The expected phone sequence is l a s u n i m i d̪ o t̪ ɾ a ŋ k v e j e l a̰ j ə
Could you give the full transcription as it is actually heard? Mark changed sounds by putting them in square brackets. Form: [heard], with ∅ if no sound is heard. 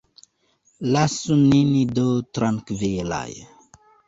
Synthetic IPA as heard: l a s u n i [n] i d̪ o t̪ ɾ a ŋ k v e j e l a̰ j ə